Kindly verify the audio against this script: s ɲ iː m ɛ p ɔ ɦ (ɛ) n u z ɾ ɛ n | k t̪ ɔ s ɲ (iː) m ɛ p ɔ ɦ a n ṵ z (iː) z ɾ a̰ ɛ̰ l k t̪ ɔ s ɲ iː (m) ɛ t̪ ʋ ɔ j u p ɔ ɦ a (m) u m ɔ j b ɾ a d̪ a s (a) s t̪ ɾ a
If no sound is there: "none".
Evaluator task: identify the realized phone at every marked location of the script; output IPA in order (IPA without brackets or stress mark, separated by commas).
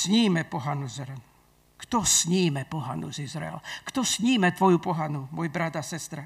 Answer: a, iː, i, m, n, ɛ